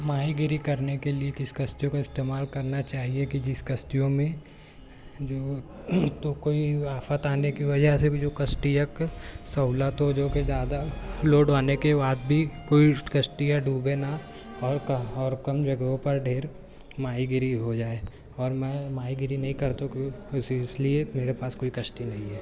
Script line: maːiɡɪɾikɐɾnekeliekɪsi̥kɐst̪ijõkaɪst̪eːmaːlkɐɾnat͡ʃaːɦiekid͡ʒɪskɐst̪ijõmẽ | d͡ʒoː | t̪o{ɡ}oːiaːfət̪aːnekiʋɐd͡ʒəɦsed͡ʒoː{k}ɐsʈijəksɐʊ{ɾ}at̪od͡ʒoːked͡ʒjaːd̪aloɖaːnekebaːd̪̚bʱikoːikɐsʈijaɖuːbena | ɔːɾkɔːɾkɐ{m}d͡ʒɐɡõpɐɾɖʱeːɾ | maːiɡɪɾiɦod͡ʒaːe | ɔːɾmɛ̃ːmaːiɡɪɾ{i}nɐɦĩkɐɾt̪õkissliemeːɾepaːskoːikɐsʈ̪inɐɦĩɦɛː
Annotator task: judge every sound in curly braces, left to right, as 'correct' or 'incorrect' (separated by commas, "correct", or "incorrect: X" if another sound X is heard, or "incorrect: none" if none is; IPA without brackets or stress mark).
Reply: incorrect: k, correct, incorrect: l, correct, correct